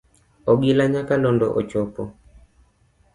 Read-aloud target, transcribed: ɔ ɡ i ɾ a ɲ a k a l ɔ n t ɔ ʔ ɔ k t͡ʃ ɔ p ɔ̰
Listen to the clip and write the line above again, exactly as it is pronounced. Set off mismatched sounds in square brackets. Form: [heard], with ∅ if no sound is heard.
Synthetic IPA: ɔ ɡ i [l] a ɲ a k a l ɔ n [d] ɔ ʔ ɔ [∅] t͡ʃ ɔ p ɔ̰